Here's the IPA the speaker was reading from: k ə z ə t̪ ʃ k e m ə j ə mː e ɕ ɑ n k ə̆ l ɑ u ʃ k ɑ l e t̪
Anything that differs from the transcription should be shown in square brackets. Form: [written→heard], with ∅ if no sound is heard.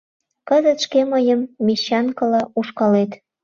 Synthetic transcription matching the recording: k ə z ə t̪ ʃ k e m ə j ə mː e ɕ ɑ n k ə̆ l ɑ u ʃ k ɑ l e t̪